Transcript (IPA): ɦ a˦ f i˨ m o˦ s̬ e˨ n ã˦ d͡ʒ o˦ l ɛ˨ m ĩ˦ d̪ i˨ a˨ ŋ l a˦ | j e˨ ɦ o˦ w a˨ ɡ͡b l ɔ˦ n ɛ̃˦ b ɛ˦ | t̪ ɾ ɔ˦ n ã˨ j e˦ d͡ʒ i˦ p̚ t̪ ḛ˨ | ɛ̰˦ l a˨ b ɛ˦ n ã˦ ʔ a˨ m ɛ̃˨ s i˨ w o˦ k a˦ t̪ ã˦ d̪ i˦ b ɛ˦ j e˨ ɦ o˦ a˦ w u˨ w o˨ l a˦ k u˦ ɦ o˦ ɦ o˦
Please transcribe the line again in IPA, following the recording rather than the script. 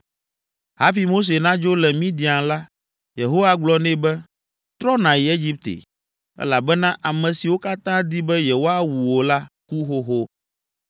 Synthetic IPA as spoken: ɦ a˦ f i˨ m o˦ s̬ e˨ n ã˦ d͡ʒ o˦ l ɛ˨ m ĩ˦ d̪ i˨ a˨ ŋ l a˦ | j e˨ ɦ o˦ w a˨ ɡ͡b l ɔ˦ n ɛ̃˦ b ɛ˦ | t̪ ɾ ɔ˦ n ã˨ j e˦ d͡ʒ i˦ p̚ t̪ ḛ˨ | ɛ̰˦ l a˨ b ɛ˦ n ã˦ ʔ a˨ m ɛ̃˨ s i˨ w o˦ k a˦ t̪ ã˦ d̪ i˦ b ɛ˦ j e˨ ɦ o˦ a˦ w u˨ w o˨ l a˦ k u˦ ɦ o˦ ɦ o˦